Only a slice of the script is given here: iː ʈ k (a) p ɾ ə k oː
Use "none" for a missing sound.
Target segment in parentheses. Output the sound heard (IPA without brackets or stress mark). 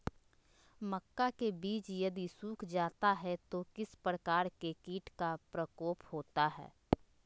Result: a